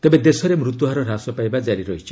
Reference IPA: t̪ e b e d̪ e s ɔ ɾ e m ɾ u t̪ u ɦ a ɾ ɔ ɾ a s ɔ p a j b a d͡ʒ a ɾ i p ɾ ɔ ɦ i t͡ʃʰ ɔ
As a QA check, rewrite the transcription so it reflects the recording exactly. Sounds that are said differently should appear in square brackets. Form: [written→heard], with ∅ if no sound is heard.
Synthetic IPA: t̪ e b e d̪ e s ɔ ɾ e m ɾ u t̪ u ɦ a ɾ ɔ ɾ a s ɔ p a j b a d͡ʒ a ɾ i [p→∅] ɾ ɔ ɦ i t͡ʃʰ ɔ